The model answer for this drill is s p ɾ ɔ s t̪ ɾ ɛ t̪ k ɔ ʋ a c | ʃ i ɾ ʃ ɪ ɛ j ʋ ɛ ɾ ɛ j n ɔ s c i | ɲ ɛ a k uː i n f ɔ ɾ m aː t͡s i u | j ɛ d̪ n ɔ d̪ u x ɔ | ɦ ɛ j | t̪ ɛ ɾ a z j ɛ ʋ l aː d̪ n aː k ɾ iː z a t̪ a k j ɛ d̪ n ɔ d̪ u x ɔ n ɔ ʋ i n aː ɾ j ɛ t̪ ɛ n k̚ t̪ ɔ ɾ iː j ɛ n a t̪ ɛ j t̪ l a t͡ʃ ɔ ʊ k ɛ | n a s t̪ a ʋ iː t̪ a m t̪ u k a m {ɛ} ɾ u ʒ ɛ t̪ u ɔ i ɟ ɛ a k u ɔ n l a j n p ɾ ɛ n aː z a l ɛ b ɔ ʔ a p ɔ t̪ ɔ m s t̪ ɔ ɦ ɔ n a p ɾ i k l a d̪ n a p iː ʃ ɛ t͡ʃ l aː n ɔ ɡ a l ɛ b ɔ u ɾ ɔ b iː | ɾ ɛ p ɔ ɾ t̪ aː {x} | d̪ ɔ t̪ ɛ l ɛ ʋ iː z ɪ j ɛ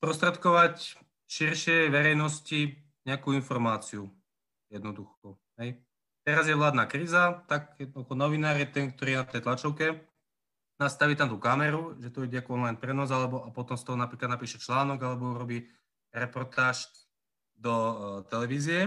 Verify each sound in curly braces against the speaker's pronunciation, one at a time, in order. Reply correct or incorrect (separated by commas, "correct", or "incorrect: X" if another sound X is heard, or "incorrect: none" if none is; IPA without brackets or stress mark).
correct, incorrect: ʃ